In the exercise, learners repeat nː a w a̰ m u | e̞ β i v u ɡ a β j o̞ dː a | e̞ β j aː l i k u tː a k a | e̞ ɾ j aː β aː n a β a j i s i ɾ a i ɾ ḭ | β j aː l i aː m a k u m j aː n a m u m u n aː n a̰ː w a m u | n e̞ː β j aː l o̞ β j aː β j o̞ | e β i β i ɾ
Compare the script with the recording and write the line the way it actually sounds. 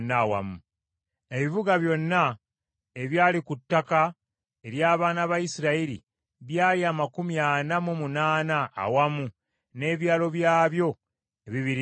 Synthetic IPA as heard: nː a w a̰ m u | e̞ β i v u ɡ a β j o̞ nː a | e̞ β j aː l i k u tː a k a | e̞ ɾ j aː β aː n a β a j i s i ɾ a i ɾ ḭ | β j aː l i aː m a k u m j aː n a m u m u n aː n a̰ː w a m u | n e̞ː β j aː l o̞ β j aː β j o̞ | e β i β i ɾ